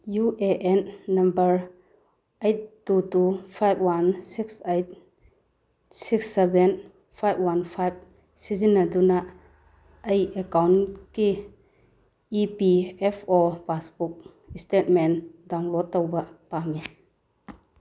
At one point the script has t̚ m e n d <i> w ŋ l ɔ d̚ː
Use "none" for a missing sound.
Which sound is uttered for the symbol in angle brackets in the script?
a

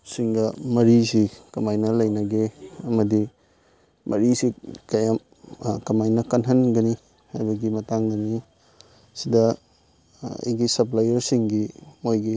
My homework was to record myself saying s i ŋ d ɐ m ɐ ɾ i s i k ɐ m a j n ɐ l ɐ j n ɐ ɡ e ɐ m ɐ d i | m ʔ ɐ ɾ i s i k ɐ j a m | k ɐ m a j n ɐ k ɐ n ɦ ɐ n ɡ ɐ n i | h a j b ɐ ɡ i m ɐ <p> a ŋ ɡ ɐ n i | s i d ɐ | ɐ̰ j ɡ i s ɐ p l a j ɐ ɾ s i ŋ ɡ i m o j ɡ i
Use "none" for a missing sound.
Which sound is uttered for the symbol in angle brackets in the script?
t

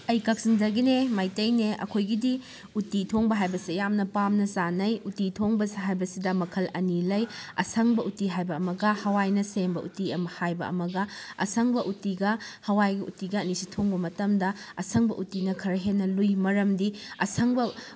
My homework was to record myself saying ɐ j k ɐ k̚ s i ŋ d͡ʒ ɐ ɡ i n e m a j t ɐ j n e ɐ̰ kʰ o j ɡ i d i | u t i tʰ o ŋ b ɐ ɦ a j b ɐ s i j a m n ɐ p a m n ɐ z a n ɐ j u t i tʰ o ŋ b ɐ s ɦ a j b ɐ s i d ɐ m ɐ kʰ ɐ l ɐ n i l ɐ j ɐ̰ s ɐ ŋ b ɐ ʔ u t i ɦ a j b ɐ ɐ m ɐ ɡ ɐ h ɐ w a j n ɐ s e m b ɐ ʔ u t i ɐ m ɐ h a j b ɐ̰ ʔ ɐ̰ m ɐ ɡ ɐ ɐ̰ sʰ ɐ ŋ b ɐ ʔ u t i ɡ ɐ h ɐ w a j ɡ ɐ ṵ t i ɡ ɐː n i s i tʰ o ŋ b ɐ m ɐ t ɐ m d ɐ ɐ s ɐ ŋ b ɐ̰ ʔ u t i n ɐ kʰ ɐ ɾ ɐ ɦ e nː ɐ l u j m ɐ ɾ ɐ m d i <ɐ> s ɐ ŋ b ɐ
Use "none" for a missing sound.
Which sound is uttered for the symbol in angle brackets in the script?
ɐ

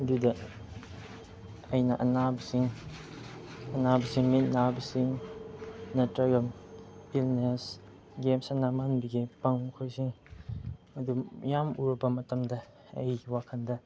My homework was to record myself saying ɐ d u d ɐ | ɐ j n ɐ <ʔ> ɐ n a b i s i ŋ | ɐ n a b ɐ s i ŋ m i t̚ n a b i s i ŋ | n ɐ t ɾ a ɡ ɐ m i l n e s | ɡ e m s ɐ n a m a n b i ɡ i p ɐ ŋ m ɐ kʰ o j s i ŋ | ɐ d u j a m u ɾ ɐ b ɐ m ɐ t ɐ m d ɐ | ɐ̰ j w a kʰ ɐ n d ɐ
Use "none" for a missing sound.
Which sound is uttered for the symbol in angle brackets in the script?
ʔ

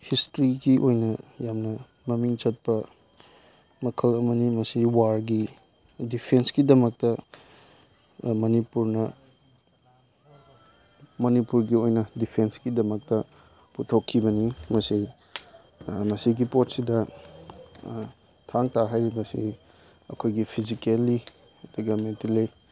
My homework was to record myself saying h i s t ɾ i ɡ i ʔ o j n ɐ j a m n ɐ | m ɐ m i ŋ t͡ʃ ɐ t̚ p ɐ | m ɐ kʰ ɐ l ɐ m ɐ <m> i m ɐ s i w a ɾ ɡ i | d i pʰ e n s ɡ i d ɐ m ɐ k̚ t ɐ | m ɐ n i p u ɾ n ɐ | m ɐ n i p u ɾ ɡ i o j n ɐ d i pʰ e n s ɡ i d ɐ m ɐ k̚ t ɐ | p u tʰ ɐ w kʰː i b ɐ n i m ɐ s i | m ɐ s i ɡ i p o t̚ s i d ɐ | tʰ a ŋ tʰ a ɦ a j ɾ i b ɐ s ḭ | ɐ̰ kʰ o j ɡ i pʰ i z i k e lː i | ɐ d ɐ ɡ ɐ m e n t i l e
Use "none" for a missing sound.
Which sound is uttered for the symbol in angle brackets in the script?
n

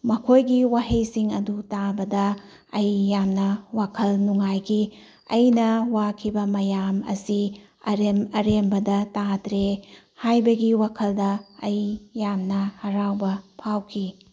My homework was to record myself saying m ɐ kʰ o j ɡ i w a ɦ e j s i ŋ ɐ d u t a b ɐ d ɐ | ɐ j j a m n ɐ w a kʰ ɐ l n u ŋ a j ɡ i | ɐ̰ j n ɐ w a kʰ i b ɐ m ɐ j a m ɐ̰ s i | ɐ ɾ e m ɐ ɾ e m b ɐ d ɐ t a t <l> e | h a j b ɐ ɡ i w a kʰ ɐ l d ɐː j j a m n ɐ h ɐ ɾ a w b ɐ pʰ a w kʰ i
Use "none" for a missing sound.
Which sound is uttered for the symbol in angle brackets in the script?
ɾ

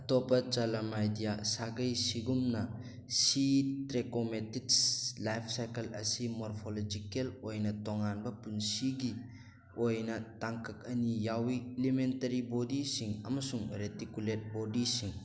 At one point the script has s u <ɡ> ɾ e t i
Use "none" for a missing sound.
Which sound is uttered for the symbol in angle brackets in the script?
ŋ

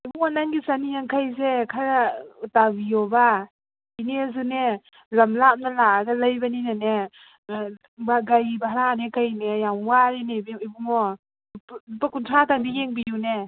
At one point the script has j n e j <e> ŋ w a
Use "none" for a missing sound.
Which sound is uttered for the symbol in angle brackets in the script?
a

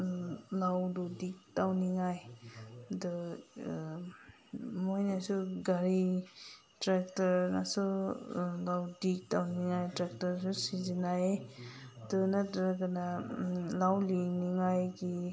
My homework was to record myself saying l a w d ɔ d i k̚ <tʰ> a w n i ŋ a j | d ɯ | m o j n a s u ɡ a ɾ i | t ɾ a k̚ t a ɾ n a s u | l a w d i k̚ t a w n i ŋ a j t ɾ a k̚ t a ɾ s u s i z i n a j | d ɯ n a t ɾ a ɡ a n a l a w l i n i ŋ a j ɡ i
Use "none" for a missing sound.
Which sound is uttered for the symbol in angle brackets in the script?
t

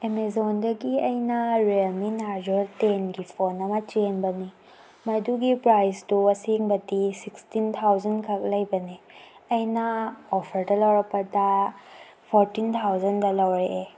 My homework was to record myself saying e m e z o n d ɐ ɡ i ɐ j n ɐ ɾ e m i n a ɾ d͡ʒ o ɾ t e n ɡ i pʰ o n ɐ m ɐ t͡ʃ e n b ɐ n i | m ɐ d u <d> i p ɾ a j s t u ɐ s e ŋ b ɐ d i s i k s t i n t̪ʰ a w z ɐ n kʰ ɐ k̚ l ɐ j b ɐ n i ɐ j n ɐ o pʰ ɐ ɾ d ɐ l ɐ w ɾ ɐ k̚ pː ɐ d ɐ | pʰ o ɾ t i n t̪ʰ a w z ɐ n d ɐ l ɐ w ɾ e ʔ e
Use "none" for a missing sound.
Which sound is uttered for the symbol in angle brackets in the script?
ɡ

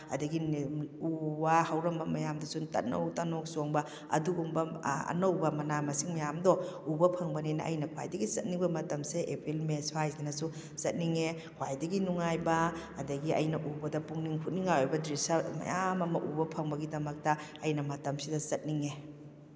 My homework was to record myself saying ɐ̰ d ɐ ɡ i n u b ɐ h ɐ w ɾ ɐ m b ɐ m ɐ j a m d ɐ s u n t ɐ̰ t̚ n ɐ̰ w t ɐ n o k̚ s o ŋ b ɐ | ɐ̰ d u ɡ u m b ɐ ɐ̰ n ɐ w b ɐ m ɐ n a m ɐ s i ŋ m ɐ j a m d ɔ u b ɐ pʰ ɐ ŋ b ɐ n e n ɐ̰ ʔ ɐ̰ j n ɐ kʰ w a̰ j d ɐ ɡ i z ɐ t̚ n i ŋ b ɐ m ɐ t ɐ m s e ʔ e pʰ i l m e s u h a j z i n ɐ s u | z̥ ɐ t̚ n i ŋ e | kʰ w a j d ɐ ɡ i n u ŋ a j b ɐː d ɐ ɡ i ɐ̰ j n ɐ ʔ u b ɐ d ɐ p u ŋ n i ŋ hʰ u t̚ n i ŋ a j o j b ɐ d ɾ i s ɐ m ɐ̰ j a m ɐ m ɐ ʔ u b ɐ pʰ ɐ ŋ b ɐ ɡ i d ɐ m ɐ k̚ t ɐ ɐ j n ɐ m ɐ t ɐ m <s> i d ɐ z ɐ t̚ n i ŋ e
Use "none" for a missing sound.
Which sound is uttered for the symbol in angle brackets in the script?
s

